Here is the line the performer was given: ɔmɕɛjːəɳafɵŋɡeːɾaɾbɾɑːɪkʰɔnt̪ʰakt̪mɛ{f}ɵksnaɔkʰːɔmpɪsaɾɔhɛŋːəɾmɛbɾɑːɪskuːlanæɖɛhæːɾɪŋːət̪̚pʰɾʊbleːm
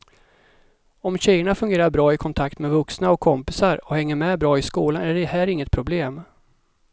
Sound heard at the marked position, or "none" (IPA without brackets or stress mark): v